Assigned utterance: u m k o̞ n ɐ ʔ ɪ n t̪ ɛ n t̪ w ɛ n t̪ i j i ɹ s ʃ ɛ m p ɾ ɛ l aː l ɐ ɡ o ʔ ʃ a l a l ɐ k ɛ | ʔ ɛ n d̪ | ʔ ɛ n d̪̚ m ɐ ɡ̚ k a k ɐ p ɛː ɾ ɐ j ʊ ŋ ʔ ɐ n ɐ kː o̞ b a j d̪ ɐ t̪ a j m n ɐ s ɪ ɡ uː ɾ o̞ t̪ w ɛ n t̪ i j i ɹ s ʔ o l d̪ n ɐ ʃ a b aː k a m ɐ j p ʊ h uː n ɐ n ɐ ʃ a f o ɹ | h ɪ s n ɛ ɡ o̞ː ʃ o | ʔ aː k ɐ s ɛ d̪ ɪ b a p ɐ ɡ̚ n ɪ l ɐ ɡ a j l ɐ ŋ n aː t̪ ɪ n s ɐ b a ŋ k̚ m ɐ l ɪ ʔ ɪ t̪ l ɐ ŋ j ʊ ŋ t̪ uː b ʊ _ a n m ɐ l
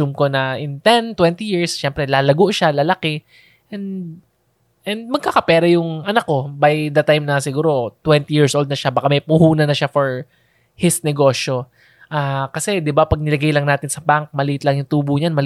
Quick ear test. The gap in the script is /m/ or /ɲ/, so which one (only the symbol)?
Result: ɲ